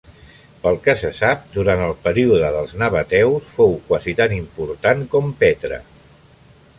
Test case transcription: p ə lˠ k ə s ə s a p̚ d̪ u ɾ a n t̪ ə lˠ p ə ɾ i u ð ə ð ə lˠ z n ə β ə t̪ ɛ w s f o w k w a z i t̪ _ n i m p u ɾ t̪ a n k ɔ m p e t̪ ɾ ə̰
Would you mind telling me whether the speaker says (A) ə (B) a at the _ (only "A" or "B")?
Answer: B